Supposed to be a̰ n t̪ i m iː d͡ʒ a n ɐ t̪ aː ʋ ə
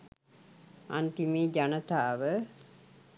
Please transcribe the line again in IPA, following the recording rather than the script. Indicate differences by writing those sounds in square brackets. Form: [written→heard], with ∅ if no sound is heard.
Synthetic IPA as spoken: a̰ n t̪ i m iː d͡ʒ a n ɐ t̪ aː ʋ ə